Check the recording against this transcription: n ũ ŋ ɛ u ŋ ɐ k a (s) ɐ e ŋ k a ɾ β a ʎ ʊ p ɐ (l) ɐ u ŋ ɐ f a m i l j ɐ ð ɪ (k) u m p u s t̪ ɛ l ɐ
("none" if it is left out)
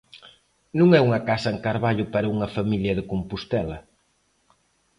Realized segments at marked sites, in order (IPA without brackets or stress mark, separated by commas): s, ɾ, k